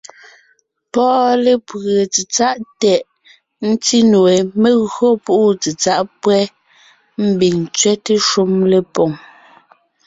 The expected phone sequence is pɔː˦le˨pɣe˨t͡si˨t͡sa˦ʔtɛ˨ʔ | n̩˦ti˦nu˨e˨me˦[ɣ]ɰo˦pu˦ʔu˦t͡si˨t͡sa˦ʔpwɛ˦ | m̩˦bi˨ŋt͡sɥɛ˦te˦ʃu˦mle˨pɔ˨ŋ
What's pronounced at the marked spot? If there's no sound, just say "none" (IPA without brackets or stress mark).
ɣ